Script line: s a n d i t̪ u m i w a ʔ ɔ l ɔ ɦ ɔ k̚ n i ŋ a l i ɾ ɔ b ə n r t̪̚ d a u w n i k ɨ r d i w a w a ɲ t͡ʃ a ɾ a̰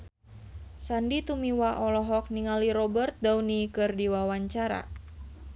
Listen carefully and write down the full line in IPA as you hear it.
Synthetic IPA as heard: s a n d i t̪ u m i w a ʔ ɔ l ɔ ɦ ɔ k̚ n i ŋ a l i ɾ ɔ b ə r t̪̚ d a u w n i k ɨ r d i w a w a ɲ t͡ʃ a ɾ a̰